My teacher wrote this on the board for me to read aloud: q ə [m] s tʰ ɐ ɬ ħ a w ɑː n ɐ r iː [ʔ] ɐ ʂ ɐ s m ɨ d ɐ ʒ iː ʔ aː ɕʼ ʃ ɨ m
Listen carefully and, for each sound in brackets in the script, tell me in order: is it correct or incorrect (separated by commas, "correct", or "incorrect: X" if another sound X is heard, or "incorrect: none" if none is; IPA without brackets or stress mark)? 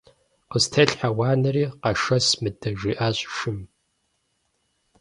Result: incorrect: none, incorrect: q